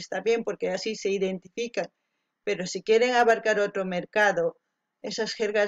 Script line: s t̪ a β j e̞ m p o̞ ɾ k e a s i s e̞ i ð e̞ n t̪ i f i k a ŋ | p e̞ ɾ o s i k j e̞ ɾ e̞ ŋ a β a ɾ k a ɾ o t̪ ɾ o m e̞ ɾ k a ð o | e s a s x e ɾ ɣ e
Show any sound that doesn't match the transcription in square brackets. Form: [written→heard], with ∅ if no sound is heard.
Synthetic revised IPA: s t̪ a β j e̞ m p o̞ ɾ k e a s i s e̞ i ð e̞ n t̪ i f i k a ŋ | p e̞ ɾ o s i k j e̞ ɾ e̞ ŋ a β a ɾ k a ɾ o t̪ ɾ o m e̞ ɾ k a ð o | e s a s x e ɾ ɣ [e→a]